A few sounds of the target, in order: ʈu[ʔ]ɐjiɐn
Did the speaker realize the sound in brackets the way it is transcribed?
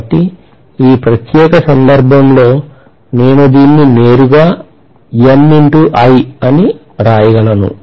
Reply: yes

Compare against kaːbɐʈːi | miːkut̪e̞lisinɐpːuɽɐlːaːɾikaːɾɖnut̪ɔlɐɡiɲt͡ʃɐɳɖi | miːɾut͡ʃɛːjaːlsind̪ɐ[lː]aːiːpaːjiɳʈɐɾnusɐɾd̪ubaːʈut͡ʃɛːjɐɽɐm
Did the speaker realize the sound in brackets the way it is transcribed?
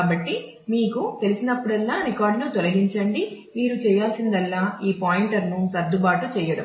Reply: yes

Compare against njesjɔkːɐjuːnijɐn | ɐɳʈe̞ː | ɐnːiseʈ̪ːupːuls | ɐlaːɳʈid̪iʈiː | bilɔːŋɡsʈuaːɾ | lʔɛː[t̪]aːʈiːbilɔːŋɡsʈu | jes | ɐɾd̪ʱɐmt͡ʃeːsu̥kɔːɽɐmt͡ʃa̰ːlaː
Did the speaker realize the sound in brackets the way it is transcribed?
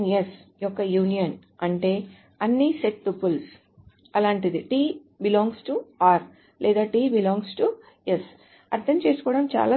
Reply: no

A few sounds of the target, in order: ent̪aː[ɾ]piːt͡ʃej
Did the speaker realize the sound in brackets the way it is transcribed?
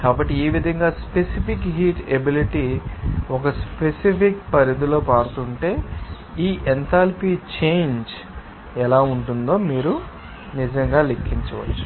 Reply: no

